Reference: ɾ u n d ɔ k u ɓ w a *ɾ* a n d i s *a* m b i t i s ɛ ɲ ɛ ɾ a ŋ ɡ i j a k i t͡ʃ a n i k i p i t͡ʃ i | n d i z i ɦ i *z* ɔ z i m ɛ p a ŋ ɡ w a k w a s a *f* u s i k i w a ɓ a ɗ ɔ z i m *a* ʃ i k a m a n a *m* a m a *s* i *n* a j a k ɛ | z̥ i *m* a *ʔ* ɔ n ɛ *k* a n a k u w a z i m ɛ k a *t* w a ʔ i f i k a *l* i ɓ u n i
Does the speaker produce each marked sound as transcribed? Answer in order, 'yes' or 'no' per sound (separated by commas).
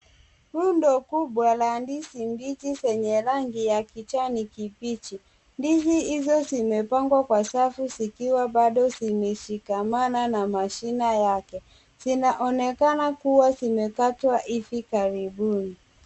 no, no, yes, yes, no, no, no, yes, no, yes, yes, yes, no